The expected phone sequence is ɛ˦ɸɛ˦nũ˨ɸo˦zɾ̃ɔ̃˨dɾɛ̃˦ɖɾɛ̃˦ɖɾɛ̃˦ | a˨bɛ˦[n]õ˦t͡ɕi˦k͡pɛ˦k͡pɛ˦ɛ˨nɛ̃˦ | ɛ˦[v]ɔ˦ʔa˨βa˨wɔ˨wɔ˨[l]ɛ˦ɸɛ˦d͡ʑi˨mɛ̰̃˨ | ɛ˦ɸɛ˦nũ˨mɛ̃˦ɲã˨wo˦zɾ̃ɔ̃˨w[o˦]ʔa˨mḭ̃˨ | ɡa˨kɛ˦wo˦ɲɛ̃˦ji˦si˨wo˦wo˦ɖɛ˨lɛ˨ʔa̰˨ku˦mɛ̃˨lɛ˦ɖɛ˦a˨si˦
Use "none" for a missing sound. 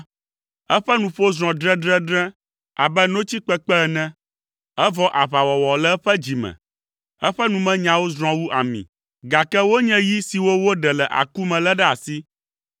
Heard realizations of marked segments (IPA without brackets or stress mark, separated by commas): n, v, l, u˦